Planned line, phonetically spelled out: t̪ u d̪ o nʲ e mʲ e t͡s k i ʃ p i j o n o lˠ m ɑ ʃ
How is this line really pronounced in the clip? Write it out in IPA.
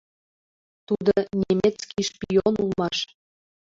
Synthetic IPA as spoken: t̪ u d̪ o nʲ e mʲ e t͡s k i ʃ p i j o n u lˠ m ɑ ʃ